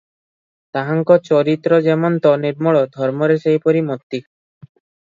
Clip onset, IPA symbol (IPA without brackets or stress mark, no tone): t̪